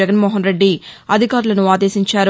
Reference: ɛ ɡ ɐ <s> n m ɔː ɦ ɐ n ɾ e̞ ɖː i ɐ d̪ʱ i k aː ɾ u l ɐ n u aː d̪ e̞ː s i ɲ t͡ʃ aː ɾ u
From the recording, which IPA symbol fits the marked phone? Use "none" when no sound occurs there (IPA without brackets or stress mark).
none